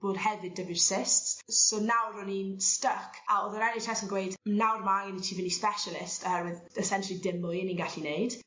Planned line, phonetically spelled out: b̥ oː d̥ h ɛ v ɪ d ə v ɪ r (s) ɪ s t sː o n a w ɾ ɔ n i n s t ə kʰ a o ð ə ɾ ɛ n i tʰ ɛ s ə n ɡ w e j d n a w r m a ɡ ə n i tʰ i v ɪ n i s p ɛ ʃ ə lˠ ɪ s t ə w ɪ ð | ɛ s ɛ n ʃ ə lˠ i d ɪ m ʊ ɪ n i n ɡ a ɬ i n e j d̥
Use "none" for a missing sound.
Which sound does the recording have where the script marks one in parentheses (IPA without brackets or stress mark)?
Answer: s